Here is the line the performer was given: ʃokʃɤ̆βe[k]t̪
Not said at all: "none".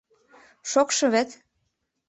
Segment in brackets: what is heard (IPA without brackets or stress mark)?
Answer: none